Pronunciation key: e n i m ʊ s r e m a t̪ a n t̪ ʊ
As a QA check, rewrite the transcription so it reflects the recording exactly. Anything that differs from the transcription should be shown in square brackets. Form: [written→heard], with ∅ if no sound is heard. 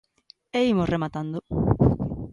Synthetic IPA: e [n→∅] i m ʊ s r e m a t̪ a n [t̪→d̪] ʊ